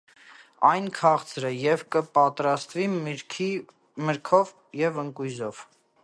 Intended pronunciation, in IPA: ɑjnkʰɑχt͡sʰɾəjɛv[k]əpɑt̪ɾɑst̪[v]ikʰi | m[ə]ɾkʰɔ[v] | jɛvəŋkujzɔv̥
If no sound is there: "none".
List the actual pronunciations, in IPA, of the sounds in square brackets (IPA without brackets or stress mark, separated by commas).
k, v, ə, v